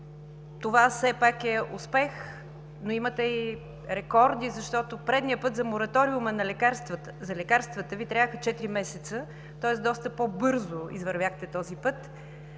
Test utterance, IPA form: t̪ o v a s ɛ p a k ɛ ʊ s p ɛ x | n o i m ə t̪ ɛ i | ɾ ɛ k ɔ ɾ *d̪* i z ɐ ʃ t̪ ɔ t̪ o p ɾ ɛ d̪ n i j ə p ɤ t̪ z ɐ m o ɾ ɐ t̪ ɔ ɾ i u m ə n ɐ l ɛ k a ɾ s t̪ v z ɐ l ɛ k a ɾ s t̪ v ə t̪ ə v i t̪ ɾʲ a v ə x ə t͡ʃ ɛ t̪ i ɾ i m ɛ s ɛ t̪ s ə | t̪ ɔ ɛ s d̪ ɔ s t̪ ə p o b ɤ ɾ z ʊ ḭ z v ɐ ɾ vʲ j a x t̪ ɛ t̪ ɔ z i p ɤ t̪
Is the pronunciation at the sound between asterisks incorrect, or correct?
correct